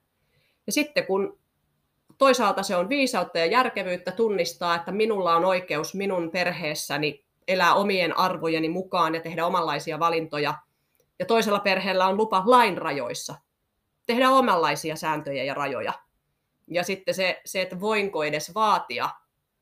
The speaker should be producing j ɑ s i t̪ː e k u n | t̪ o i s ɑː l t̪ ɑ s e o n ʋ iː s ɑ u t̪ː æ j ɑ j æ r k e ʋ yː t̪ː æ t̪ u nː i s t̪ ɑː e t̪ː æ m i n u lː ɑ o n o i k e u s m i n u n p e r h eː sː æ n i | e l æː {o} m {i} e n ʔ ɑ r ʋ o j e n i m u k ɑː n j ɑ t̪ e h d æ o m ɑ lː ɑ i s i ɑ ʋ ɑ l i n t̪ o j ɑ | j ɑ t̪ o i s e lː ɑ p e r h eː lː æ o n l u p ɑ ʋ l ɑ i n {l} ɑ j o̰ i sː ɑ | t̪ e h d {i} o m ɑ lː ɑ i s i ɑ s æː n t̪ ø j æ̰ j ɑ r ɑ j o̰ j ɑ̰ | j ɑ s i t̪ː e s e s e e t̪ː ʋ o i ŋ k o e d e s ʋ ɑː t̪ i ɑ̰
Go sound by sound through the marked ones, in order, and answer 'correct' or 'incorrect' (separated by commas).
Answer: correct, correct, incorrect, incorrect